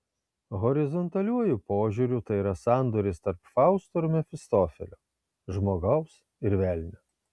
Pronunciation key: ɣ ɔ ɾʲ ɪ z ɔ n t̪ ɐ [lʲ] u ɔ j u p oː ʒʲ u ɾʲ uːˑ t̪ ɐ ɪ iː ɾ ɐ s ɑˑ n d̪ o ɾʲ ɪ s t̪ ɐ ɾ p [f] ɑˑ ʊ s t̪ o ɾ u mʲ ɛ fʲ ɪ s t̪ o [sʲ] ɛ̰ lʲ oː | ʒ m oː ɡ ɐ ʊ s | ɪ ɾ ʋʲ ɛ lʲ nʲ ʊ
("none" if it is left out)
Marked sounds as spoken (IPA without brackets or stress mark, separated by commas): lʲ, f, fʲ